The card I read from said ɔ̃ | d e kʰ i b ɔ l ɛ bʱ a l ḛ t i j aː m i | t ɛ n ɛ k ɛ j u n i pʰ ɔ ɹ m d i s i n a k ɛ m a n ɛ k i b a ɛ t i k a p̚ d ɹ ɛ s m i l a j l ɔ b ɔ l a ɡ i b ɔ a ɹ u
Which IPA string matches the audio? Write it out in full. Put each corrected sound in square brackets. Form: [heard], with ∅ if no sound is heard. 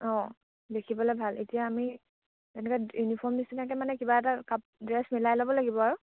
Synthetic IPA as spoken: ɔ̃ | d e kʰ i b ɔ l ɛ bʱ a l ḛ t i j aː m i | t ɛ n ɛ k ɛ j u n i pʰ ɔ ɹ m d i s i n a k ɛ m a n ɛ k i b a ɛ t [a] k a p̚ d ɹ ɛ s m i l a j l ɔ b ɔ l a ɡ i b ɔ a ɹ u